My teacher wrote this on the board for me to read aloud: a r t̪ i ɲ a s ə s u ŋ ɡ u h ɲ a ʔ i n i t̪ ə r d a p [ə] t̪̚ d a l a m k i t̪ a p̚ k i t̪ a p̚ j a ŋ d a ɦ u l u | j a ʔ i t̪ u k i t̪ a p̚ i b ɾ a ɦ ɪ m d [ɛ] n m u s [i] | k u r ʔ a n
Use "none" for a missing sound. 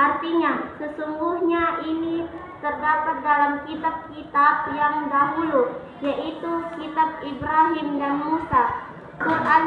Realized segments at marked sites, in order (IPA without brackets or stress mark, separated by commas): a, a, a